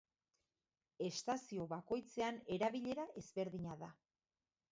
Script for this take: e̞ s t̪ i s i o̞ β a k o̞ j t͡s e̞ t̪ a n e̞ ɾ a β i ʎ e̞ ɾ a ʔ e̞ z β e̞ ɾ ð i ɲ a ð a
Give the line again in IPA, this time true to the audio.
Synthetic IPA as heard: e̞ s t̪ a s i o̞ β a k o̞ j t͡s e̞ a n e̞ ɾ a β i ʎ e̞ ɾ a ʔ e̞ z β e̞ ɾ ð i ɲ a ð a